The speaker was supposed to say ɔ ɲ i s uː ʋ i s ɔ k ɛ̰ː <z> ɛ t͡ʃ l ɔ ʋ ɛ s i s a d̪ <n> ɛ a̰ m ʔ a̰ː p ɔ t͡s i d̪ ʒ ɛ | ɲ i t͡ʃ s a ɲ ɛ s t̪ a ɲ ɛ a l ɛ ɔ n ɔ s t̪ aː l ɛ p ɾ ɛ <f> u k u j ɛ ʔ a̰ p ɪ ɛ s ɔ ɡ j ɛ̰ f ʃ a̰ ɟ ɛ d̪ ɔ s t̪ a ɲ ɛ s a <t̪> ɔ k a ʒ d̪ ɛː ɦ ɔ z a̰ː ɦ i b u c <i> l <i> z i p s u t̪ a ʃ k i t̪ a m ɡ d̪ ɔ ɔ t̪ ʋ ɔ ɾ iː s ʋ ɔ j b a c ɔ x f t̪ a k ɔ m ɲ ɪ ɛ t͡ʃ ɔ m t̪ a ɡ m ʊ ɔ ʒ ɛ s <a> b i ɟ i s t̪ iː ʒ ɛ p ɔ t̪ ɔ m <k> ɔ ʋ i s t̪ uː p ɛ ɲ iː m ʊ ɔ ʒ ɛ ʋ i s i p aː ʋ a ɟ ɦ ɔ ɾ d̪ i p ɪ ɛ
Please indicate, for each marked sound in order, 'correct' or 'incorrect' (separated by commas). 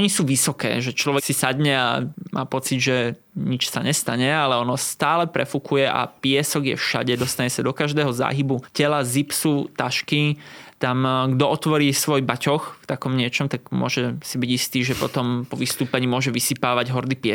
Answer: incorrect, incorrect, correct, incorrect, incorrect, incorrect, incorrect, incorrect